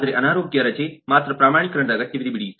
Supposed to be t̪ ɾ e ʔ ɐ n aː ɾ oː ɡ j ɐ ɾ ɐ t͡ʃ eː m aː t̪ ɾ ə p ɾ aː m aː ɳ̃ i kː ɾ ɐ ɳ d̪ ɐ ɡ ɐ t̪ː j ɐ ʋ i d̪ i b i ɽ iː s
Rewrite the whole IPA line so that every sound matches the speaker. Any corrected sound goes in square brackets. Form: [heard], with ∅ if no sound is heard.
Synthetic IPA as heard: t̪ ɾ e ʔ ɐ n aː ɾ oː ɡ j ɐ ɾ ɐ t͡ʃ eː m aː t̪ ɾ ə p ɾ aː m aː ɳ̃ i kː ɾ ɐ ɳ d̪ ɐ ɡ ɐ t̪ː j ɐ ʋ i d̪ i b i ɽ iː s